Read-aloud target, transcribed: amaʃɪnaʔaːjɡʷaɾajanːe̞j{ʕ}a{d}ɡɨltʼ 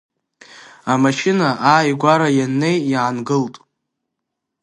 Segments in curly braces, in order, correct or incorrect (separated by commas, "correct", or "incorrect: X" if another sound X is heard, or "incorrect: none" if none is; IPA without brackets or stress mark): correct, incorrect: n